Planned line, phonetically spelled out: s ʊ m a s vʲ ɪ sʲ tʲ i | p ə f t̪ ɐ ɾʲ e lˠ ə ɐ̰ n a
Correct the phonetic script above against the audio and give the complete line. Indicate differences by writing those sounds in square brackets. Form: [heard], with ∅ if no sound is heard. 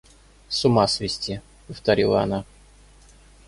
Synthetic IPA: s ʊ m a s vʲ ɪ sʲ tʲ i | p ə f t̪ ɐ ɾʲ [i] lˠ ə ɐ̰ n a